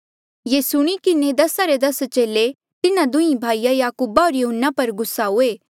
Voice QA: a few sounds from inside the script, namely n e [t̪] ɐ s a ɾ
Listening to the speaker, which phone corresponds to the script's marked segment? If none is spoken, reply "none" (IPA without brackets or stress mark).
d̪